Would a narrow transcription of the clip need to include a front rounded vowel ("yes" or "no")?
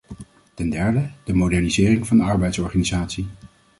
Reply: no